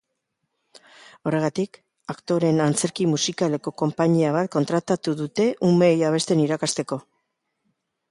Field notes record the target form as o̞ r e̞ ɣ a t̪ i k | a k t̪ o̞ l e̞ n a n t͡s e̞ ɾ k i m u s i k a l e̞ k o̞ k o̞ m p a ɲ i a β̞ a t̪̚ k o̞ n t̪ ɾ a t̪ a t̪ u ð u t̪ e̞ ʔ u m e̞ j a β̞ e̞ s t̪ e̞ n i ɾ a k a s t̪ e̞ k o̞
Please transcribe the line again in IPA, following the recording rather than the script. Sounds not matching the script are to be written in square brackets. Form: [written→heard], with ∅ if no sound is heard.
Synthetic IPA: o̞ r e̞ ɣ a t̪ i k | a k t̪ o̞ [l→ɾ] e̞ n a n t͡s e̞ ɾ k i m u s i k a l e̞ k o̞ k o̞ m p a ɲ i a β̞ a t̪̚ k o̞ n t̪ ɾ a t̪ a t̪ u ð u t̪ e̞ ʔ u m e̞ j a β̞ e̞ s t̪ e̞ n i ɾ a k a s t̪ e̞ k o̞